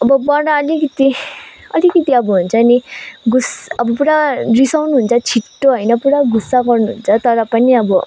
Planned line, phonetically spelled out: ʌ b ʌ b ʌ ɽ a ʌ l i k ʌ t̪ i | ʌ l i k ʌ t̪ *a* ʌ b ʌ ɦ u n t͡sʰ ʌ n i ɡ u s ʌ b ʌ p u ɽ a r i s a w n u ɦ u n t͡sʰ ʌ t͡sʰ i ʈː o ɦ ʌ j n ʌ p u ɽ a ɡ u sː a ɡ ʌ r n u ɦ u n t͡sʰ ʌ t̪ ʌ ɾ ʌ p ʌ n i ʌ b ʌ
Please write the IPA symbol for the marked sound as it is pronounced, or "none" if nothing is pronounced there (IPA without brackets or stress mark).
i